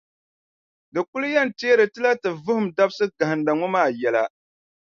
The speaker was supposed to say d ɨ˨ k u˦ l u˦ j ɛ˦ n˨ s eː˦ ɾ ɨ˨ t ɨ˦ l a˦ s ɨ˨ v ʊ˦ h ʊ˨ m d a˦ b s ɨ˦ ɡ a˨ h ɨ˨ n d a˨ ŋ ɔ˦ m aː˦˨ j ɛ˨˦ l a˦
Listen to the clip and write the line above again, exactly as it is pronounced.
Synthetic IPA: d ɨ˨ k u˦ l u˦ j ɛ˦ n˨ t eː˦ ɾ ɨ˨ t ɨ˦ l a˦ t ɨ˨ v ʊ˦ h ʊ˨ m d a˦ b s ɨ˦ ɡ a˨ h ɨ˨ n d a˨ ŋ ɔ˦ m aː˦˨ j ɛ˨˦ l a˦